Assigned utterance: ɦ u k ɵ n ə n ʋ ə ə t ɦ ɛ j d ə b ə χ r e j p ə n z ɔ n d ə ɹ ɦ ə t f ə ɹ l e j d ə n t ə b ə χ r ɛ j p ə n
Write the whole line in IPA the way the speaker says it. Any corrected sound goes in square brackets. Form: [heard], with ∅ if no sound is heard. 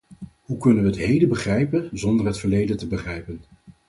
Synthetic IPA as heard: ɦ u k ɵ n ə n ʋ ə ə t ɦ [e] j d ə b ə χ r [ɛ] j p ə n z ɔ n d ə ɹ ɦ ə t f ə ɹ l e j d ə n t ə b ə χ r ɛ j p ə n